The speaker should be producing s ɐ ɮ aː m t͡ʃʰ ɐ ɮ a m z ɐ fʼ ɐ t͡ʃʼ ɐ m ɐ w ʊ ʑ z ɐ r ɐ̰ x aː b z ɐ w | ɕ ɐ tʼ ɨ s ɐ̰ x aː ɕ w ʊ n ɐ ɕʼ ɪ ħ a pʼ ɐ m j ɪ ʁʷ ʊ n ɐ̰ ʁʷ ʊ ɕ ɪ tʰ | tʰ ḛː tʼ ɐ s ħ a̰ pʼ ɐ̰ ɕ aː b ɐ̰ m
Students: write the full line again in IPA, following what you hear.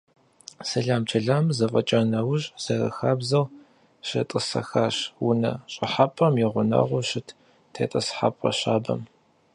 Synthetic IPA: s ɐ ɮ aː m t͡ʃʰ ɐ ɮ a m z ɐ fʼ ɐ t͡ʃʼ ɐ n ɐ w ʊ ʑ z ɐ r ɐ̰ x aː b z ɐ w | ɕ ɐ tʼ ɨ s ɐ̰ x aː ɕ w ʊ n ɐ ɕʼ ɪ ħ a pʼ ɐ m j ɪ ʁʷ ʊ n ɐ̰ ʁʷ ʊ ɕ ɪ tʰ | tʰ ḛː tʼ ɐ s ħ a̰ pʼ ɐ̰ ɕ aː b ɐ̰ m

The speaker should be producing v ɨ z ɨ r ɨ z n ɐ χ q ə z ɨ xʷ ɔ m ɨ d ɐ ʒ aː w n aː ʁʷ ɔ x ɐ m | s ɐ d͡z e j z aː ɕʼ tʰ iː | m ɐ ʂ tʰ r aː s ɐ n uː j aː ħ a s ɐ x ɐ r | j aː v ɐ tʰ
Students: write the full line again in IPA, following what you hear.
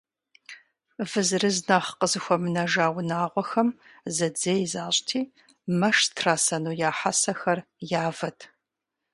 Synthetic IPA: v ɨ z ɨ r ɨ z n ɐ χ q ə z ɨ xʷ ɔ m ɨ n ɐ ʒ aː w n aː ʁʷ ɔ x ɐ m | z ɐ d͡z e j z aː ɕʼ tʰ iː | m ɐ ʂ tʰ r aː s ɐ n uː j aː ħ a s ɐ x ɐ r | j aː v ɐ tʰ

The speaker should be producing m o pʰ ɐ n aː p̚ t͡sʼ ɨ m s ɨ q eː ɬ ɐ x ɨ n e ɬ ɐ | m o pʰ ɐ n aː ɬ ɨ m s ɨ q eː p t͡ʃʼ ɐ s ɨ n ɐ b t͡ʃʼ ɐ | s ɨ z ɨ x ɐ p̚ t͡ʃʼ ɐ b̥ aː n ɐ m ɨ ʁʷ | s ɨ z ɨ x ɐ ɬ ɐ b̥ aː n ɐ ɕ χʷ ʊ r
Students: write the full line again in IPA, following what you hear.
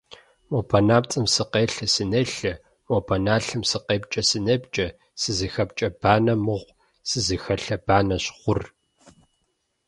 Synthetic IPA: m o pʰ ɐ n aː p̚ t͡sʼ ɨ m s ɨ q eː ɬ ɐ s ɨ n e ɬ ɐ | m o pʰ ɐ n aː ɬ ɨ m s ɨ q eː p t͡ʃʼ ɐ s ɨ n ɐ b t͡ʃʼ ɐ | s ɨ z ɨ x ɐ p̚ t͡ʃʼ ɐ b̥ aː n ɐ m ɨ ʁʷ | s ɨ z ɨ x ɐ ɬ ɐ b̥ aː n ɐ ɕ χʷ ʊ r

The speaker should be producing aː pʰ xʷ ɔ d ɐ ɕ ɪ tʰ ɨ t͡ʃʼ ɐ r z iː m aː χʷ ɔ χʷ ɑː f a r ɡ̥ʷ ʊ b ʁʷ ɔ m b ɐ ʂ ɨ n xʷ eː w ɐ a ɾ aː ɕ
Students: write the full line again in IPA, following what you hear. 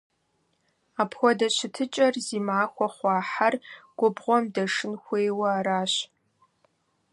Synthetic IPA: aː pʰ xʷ ɔ d ɐ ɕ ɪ tʰ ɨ t͡ʃʼ ɐ r z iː m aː xʷ ɔ χʷ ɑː ħ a r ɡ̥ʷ ʊ b ʁʷ ɔ m d ɐ ʂ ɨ n xʷ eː w ɐ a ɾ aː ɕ

